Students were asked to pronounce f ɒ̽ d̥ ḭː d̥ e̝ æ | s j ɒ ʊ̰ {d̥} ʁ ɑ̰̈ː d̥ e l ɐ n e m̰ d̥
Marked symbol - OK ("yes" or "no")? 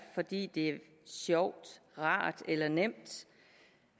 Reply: yes